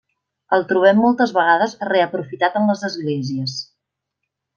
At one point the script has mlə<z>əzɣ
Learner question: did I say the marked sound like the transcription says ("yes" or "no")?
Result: yes